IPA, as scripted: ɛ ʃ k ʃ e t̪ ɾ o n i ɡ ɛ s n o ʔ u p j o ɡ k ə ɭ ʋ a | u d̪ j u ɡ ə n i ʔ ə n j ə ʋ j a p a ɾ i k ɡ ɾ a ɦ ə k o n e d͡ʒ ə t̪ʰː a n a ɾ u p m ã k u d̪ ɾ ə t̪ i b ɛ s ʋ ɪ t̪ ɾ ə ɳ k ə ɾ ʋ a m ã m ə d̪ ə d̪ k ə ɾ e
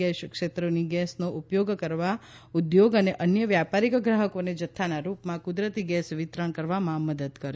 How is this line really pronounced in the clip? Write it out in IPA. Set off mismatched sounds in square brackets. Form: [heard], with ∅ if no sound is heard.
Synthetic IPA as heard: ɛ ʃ k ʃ e t̪ ɾ o n i ɡ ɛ s n o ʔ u p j o ɡ k ə [ɾ] ʋ a | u d̪ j [o] ɡ ə n [e] ʔ ə n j ə ʋ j a p a ɾ i k ɡ ɾ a ɦ ə k o n e d͡ʒ ə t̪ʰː a n a ɾ u p m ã k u d̪ ɾ ə t̪ i [ɡ] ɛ s ʋ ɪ t̪ ɾ ə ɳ k ə ɾ ʋ a m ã m ə d̪ ə d̪ k ə ɾ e